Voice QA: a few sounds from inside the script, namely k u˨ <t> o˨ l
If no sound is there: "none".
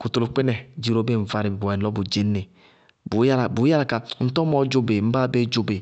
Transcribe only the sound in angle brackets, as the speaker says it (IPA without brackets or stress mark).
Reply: t